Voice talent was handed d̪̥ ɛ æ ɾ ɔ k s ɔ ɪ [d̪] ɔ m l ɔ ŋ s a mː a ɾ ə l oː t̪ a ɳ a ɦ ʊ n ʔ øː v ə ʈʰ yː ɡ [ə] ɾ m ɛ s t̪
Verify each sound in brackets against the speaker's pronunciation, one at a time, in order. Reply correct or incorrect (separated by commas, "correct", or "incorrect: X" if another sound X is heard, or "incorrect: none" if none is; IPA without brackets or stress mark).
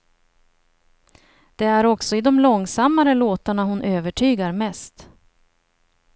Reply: correct, incorrect: a